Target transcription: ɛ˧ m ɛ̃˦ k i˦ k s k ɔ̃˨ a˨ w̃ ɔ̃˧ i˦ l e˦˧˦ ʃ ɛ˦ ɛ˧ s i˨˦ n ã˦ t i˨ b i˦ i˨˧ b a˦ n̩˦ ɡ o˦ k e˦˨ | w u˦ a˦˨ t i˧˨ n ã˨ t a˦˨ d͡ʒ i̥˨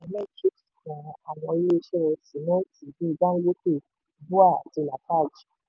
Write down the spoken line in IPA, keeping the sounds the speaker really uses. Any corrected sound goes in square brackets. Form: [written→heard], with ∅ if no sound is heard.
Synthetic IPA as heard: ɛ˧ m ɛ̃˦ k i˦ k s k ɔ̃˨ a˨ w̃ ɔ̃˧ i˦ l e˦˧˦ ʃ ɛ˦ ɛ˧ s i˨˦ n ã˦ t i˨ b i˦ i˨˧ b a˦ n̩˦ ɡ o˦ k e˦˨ | [w→b] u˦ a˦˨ t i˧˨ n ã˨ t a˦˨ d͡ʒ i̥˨